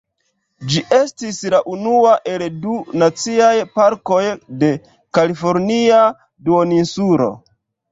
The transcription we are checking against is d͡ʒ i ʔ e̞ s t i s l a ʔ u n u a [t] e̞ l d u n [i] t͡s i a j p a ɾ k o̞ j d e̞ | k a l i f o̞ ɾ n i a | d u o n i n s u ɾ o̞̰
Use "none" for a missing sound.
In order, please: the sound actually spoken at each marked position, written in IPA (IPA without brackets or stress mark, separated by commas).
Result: ʔ, a